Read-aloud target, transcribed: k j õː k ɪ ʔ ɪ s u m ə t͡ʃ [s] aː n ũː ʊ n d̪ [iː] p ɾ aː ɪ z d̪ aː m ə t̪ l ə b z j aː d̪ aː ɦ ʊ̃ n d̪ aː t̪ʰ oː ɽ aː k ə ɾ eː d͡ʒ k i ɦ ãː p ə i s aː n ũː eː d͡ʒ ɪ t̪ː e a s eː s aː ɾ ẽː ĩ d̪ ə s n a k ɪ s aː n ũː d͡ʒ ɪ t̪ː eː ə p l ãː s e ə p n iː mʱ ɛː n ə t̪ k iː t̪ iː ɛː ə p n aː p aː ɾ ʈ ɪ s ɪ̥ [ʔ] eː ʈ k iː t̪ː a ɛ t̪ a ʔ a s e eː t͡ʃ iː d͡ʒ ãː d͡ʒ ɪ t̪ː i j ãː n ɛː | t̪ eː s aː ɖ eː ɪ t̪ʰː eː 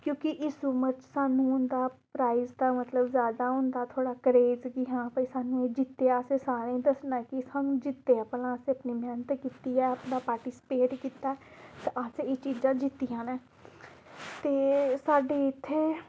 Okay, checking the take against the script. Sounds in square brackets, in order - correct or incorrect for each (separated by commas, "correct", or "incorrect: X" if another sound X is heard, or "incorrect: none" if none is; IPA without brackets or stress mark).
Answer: correct, incorrect: aː, incorrect: p